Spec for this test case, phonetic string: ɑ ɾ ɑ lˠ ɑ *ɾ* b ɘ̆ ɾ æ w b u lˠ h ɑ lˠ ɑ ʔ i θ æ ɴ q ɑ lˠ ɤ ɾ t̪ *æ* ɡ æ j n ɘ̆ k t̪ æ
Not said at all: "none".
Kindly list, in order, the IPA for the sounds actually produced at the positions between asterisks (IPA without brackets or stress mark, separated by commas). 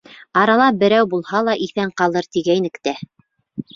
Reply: none, i